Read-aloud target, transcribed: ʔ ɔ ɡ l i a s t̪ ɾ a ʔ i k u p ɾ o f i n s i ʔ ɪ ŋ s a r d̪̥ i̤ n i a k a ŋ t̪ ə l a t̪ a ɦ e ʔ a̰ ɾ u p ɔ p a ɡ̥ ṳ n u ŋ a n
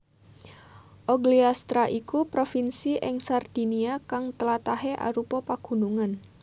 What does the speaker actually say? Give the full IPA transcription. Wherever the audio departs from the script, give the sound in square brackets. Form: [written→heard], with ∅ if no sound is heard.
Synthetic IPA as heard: ʔ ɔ ɡ l i a s t̪ ɾ a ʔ i k u p ɾ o f i n s i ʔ ɪ ŋ s a r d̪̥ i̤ n i a k a ŋ t̪ ə l a t̪ a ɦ e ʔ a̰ ɾ u p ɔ p a ɡ̥ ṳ n u ŋ a n